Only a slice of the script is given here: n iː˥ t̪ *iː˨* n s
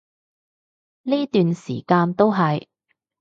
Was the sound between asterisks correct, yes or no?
no